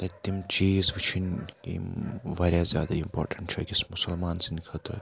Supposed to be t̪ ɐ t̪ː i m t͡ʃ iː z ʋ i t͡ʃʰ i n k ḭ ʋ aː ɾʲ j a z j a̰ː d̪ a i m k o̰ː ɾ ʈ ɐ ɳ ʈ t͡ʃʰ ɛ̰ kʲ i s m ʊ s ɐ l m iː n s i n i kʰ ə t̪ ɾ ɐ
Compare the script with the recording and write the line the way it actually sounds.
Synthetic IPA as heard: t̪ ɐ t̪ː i m t͡ʃ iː z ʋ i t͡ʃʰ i n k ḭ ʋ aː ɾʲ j a z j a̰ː d̪ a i m p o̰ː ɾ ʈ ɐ ɳ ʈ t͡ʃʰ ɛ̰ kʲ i s m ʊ s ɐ l m aː n s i n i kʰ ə t̪ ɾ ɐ